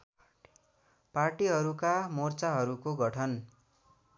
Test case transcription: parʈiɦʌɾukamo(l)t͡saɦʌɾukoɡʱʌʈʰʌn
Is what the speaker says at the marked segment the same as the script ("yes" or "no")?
no